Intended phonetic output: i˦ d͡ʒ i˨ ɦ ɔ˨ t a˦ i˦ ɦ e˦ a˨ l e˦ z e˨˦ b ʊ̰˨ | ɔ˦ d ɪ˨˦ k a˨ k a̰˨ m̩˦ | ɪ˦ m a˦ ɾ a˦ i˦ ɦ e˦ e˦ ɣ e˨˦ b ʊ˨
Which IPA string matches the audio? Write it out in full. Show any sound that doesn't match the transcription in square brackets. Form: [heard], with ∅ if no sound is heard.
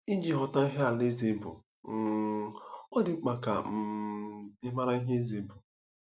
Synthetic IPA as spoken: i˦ d͡ʒ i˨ ɦ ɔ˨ t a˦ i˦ ɦ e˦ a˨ l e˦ z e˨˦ b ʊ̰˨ | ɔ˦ d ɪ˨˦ [k͡p] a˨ k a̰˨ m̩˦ | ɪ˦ m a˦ ɾ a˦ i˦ ɦ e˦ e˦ [z] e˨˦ b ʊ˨

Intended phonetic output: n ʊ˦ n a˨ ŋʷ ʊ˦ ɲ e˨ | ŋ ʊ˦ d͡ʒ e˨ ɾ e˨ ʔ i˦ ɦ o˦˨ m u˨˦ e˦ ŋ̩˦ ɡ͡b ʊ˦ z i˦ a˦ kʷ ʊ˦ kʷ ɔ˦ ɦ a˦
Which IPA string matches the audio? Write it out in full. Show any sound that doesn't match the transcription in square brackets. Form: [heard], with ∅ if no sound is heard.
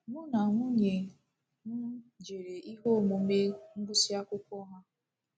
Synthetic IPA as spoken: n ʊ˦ n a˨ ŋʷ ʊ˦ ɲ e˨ | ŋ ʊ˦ d͡ʒ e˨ ɾ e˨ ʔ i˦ ɦ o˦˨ m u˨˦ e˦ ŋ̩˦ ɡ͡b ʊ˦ [s] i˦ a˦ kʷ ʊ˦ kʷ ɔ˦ ɦ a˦

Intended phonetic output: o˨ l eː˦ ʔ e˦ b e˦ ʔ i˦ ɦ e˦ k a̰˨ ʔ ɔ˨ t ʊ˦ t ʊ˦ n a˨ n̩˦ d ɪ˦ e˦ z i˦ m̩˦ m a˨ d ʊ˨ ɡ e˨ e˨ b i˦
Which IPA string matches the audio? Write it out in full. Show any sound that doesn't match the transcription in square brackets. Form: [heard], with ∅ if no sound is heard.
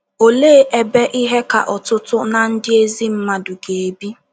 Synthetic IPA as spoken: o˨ l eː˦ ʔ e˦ b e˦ ʔ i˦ ɦ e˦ k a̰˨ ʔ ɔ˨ t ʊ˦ t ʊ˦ n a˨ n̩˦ d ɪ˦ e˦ z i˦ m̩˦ m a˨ d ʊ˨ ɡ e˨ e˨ b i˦

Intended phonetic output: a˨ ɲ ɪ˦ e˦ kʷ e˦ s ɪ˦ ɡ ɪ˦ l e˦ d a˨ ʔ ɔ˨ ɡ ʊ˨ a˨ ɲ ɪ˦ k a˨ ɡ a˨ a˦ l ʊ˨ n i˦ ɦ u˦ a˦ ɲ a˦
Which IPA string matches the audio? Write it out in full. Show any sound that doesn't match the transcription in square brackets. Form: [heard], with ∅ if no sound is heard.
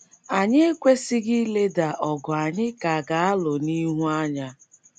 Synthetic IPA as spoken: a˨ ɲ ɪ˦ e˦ kʷ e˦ s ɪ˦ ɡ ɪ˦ l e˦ d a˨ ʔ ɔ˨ ɡ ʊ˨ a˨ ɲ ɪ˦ k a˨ ɡ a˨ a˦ l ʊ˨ n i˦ ɦ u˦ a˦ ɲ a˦

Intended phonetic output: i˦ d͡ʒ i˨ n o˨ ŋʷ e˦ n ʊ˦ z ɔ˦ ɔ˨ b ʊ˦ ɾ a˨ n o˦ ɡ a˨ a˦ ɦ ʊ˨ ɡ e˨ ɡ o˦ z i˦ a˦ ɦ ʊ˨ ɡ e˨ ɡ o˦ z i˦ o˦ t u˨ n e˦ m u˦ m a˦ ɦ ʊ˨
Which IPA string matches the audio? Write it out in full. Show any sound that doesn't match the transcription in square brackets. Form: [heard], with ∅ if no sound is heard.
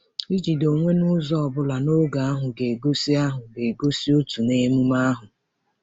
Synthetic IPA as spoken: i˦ d͡ʒ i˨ [d] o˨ ŋʷ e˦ n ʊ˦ z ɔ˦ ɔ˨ b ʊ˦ [l] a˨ n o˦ ɡ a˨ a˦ ɦ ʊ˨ ɡ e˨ ɡ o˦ [s] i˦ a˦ ɦ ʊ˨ ɡ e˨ ɡ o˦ [s] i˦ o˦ t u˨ n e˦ m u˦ m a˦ ɦ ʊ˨

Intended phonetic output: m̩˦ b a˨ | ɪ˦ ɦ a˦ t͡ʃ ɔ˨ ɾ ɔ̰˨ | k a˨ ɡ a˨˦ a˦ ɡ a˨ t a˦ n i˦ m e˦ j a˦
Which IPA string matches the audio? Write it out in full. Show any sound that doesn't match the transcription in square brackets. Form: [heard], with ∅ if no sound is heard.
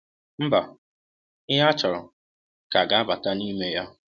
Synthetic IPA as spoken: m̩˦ b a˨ | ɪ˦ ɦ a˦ t͡ʃ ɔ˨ ɾ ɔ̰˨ | k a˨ ɡ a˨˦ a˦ [b] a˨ t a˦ n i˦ m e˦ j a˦

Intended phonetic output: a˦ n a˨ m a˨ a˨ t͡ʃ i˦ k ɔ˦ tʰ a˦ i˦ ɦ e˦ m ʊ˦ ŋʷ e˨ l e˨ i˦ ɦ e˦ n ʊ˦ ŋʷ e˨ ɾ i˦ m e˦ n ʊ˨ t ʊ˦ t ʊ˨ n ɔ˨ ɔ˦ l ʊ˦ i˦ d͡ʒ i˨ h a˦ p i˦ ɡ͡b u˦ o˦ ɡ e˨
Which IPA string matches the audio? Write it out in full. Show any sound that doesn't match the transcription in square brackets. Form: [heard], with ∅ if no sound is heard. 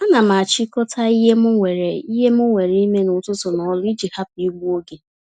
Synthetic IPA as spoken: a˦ n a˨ m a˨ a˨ t͡ʃ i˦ k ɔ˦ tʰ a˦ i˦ ɦ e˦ m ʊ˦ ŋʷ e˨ [ɾ] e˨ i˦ ɦ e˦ [m] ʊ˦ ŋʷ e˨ ɾ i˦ m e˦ n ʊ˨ t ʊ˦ t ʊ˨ n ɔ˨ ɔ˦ l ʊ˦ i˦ d͡ʒ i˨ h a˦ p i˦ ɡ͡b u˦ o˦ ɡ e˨

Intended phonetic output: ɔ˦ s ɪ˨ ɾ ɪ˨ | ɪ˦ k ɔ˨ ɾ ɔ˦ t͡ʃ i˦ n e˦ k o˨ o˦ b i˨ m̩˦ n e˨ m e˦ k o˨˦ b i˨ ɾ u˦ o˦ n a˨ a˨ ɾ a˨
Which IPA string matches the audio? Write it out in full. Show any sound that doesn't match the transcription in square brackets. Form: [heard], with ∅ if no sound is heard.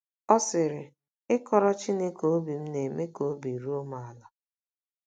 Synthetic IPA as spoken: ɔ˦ s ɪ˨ ɾ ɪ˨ | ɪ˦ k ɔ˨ ɾ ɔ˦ t͡ʃ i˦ n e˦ k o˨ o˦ b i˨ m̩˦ n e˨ m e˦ k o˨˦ b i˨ ɾ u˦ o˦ [m] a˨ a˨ [l] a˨

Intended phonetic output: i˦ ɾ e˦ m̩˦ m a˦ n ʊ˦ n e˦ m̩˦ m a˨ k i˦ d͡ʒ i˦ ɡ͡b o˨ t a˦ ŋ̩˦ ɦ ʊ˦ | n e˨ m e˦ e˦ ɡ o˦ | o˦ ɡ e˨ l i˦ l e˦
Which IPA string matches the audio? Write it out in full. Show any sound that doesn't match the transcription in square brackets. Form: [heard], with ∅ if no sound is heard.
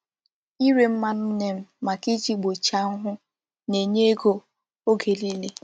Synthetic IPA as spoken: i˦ ɾ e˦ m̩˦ m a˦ n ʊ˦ n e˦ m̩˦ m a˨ k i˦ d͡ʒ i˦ ɡ͡b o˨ [t͡ʃ] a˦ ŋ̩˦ ɦ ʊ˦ | n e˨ [ɲ] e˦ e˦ ɡ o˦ | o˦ ɡ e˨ l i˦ l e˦

